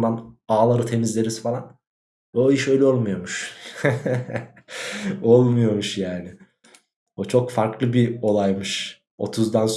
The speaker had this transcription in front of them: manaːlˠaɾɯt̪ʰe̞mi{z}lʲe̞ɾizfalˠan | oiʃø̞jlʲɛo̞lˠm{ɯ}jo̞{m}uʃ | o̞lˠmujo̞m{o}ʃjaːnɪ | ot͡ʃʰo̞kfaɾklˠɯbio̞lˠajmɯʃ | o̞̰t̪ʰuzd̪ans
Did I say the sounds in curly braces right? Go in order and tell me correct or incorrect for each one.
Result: correct, incorrect: u, correct, incorrect: u

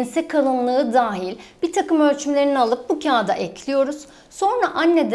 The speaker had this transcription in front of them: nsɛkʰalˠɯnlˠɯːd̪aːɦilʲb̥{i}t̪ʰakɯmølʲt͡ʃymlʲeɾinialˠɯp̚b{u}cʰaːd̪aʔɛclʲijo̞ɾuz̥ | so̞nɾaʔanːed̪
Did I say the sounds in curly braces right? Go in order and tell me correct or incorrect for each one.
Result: correct, correct

